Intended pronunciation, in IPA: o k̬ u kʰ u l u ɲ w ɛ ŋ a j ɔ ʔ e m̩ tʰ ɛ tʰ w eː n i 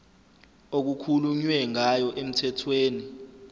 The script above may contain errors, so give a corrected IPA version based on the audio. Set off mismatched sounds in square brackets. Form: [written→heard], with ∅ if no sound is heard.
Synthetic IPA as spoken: o k̬ u kʰ u l u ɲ w ɛ ŋ a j ɔ ʔ e m̩ tʰ ɛ tʰ w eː n i